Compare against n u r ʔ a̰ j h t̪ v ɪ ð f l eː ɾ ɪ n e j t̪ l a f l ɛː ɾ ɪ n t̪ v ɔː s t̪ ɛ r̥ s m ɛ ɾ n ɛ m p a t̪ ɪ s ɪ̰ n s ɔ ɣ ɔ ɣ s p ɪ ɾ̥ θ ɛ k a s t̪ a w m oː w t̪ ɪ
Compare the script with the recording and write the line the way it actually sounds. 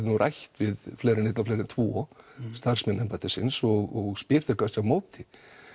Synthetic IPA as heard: n u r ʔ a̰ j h t̪ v ɪ ð f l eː ɾ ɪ n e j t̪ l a f l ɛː ɾ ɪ n t̪ʰ v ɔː s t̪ a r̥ s m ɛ n ɛ m p a t̪ ɪ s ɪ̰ n s ɔ ɣ ɔ ɣ s p ɪ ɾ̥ θ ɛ k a s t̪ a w m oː w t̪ ɪ